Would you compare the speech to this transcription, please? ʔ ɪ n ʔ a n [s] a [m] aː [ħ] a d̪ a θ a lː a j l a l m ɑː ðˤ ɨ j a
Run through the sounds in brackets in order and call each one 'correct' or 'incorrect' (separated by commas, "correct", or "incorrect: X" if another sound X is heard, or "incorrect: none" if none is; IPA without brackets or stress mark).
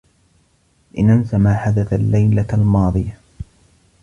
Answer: correct, correct, correct